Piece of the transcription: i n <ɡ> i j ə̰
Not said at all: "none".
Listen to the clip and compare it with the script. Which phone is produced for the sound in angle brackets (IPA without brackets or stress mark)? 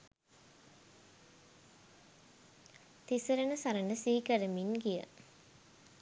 ɡ